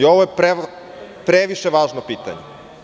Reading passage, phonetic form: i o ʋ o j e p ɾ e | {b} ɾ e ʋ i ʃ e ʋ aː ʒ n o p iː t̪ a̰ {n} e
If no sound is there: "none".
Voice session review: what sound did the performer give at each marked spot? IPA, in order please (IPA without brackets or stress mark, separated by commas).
p, ɲ